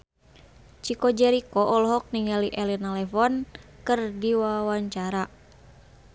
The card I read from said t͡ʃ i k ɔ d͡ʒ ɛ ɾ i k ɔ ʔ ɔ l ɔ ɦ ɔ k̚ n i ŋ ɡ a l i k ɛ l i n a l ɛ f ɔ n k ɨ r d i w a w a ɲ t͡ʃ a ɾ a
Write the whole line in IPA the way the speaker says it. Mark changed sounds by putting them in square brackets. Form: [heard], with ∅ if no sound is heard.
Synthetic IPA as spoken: t͡ʃ i k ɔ d͡ʒ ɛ ɾ i k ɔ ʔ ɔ l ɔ ɦ ɔ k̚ n i ŋ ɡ a l i [ʔ] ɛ l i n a l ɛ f ɔ n k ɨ r d i w a w a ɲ t͡ʃ a ɾ a